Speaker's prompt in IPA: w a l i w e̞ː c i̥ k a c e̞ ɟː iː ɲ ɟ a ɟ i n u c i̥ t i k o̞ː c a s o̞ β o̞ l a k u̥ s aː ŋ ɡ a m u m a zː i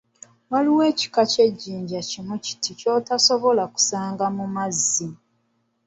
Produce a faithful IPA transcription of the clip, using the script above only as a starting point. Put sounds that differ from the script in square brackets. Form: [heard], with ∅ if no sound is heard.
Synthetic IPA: w a l i w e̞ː c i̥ k a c e̞ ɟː iː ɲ ɟ a [c] i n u c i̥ t i [c] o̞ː [t] a s o̞ β o̞ l a k u̥ s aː ŋ ɡ a m u m a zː i